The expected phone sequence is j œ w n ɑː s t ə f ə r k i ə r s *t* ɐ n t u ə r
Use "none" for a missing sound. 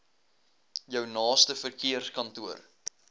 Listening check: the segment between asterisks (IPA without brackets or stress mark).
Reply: k